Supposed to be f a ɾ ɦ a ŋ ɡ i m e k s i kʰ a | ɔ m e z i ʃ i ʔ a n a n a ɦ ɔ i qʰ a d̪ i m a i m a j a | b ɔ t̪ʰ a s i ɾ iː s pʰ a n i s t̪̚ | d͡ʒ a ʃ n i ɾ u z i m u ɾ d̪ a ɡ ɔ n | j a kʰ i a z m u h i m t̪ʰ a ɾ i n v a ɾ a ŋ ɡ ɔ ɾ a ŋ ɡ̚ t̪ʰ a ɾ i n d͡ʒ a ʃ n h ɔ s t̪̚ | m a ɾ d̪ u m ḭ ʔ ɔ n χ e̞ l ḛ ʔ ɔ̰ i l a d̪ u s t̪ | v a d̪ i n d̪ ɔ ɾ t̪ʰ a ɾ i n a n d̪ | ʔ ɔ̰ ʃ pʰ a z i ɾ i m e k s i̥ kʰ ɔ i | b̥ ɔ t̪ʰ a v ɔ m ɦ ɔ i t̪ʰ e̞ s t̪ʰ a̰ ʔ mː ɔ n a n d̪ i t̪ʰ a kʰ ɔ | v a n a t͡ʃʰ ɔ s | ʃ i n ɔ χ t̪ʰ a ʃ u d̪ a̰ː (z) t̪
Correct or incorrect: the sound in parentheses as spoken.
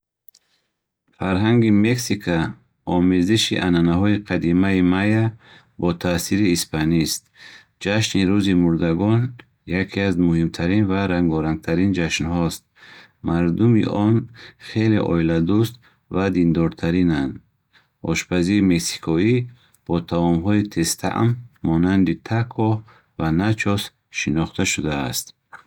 incorrect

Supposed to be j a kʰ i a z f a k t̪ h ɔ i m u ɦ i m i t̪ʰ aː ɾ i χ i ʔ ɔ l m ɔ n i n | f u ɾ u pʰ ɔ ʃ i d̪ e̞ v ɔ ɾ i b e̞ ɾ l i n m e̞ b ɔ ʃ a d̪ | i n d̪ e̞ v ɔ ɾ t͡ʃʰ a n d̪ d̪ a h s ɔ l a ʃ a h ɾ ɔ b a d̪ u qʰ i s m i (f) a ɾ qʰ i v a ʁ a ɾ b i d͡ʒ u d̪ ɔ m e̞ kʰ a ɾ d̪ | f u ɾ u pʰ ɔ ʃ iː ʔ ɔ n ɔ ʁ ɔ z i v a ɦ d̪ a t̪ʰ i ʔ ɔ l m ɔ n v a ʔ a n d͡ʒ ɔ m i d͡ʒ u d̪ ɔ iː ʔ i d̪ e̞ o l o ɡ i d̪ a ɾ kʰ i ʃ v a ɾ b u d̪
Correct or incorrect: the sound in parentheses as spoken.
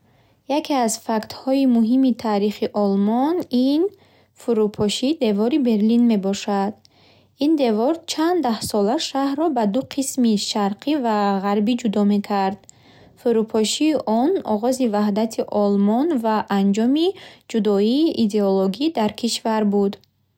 incorrect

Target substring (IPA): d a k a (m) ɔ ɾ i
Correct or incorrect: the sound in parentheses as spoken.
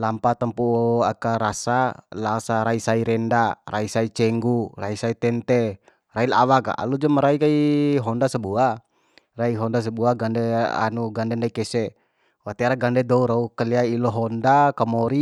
correct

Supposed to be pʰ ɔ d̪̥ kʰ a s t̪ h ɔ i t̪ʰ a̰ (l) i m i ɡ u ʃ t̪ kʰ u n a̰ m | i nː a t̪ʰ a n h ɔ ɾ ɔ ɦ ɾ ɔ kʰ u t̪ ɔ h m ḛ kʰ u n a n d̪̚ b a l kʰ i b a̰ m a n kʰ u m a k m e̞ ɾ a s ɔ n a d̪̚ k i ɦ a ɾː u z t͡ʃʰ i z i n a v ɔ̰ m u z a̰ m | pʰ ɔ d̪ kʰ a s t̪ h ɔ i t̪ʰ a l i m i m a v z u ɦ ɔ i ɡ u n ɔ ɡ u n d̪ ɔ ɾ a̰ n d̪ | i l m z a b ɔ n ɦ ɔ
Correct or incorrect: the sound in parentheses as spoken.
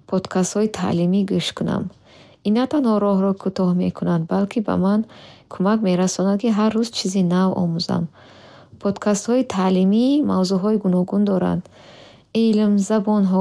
correct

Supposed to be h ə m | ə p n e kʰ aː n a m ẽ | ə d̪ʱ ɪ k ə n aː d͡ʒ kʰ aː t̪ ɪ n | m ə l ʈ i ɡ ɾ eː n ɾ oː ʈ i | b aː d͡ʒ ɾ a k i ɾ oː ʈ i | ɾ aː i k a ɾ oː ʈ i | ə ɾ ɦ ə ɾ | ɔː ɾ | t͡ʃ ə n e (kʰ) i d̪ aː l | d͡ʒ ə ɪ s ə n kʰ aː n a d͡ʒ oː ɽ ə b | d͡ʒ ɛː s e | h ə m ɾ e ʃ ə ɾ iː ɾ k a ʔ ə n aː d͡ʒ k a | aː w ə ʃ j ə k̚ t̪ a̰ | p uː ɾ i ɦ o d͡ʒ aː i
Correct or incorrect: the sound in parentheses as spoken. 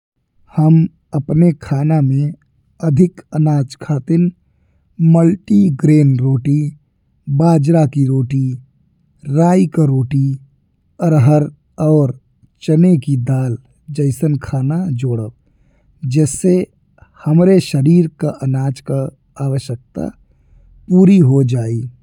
incorrect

